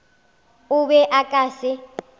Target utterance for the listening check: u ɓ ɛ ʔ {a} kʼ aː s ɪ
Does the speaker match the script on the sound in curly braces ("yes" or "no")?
yes